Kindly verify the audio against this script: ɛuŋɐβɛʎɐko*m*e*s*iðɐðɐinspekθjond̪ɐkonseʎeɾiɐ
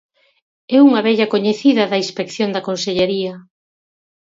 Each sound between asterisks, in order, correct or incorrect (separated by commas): incorrect, incorrect